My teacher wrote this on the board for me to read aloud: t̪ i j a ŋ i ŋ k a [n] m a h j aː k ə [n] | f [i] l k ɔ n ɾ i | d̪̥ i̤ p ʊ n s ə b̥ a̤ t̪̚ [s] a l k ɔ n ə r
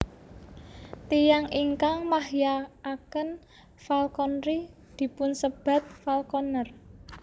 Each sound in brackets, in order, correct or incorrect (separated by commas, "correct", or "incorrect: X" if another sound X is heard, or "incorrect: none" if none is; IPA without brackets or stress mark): incorrect: ŋ, correct, incorrect: a, incorrect: f